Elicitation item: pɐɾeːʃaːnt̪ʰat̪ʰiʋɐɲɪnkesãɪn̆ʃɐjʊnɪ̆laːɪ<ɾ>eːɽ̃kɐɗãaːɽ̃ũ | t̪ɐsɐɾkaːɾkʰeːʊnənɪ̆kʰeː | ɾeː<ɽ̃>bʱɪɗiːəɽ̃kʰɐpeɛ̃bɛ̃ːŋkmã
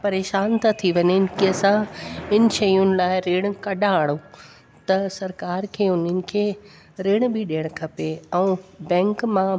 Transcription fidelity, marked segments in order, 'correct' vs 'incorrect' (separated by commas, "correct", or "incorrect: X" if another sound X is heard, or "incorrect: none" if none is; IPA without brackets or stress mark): correct, correct